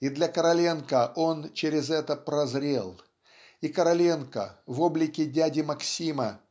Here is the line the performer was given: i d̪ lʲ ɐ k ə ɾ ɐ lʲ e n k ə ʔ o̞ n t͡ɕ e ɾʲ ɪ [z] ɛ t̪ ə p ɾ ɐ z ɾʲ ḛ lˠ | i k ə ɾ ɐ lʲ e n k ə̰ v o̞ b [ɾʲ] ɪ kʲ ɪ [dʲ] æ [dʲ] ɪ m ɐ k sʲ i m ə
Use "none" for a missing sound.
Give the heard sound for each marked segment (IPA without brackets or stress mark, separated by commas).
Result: z, lʲ, dʲ, dʲ